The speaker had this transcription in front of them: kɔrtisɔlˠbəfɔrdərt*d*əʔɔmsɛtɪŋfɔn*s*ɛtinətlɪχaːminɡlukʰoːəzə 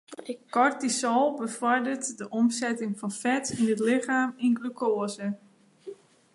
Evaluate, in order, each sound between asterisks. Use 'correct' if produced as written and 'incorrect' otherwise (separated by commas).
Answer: correct, incorrect